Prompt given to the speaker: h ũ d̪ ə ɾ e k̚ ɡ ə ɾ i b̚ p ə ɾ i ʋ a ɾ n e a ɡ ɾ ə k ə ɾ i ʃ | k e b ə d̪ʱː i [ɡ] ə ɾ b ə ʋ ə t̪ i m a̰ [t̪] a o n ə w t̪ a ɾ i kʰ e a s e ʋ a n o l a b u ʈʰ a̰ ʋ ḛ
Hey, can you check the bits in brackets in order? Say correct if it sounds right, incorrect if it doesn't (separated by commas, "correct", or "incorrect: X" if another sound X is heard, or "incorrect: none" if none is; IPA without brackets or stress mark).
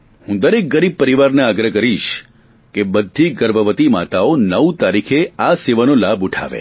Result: correct, correct